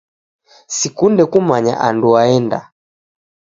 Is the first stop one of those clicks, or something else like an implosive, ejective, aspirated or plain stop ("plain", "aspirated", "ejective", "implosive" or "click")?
plain